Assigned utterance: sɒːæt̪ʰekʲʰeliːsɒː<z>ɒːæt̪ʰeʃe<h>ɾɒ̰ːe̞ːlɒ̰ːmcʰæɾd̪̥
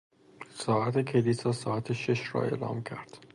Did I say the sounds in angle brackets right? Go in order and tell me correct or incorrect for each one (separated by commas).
incorrect, incorrect